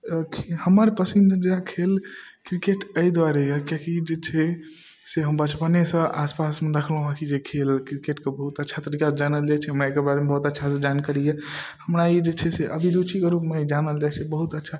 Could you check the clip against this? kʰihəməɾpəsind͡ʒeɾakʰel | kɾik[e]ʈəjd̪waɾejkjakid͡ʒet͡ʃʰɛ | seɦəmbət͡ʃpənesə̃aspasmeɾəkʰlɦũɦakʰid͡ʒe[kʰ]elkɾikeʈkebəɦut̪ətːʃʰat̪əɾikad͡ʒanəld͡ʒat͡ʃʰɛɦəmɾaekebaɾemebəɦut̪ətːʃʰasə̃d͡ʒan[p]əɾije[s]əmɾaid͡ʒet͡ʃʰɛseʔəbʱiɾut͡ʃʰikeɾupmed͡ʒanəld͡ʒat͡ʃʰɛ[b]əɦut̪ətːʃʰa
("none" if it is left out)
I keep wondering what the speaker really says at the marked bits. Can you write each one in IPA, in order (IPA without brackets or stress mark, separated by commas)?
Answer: e, kʰ, k, h, b